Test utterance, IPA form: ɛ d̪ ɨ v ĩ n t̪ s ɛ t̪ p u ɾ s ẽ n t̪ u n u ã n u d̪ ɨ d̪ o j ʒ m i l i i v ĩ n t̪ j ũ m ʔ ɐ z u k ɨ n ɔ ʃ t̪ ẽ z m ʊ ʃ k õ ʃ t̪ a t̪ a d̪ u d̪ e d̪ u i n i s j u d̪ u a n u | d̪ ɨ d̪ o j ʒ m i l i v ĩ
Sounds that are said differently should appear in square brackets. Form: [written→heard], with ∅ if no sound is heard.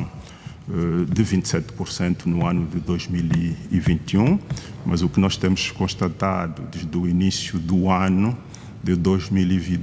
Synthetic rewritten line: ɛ d̪ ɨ v ĩ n t̪ s ɛ t̪ p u ɾ s ẽ n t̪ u n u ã n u d̪ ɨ d̪ o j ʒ m i l i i v ĩ n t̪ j ũ m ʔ ɐ z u k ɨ n ɔ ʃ t̪ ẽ [z→∅] m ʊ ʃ k õ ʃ t̪ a t̪ a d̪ u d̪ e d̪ u i n i s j u d̪ u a n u | d̪ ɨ d̪ o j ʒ m i l i v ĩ